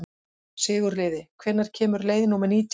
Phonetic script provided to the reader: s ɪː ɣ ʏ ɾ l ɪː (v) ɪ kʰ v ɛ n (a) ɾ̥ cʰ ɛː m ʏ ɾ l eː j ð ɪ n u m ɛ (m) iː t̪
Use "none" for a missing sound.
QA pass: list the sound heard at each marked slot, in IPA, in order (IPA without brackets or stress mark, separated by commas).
ð, a, n